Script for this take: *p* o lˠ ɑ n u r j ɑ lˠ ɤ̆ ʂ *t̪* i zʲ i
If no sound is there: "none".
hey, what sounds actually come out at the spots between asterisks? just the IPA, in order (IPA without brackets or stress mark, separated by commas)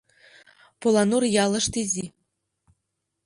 p, t̪